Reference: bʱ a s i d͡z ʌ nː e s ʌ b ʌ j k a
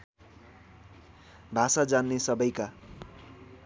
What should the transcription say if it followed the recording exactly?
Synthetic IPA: bʱ a s a d͡z a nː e s ʌ b ʌ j k a